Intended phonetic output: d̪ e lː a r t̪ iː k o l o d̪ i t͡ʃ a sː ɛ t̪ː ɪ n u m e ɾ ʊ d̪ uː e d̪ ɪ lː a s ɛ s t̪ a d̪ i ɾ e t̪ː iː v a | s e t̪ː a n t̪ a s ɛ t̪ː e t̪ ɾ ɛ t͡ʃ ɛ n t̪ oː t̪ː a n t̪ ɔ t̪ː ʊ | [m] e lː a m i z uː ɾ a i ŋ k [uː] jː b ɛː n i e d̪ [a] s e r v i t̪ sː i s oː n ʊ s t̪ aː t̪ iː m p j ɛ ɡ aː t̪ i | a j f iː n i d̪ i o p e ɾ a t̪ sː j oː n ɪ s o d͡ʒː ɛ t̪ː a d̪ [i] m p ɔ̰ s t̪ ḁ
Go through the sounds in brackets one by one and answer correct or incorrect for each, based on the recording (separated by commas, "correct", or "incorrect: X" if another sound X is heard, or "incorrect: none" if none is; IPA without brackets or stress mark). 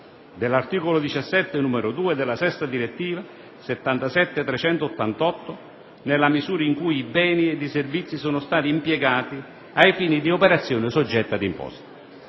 incorrect: n, incorrect: u, incorrect: i, correct